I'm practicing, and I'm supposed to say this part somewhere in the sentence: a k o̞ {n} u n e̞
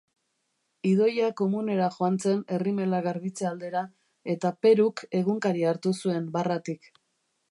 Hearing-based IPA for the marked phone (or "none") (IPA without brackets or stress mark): m